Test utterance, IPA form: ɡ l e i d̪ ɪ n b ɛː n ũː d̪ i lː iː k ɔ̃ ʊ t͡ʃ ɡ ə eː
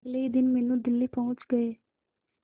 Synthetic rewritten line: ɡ l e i d̪ ɪ n m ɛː n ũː d̪ ɪ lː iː p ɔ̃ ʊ t͡ʃ ɡ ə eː